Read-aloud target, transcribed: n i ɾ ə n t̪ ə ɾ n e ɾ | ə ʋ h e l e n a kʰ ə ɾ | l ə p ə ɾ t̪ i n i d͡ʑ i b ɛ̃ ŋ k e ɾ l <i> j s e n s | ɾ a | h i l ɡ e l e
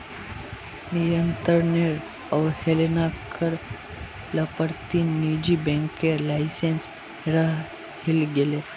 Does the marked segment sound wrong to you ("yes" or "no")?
yes